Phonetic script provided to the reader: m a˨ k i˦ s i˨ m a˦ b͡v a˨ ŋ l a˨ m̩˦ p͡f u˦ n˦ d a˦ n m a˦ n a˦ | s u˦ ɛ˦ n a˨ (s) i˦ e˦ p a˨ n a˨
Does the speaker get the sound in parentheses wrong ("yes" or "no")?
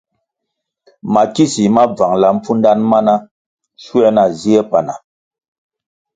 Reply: yes